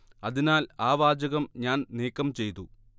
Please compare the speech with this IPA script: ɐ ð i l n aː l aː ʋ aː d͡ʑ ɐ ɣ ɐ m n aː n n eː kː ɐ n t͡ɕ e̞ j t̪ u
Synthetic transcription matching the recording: ɐ ð i n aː l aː ʋ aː d͡ʑ ɐ ɣ ɐ m ɲ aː n n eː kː ɐ m t͡ɕ e̞ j t̪ u